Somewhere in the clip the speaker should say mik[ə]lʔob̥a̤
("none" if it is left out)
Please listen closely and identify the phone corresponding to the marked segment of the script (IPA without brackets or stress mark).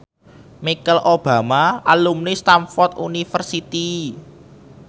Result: ə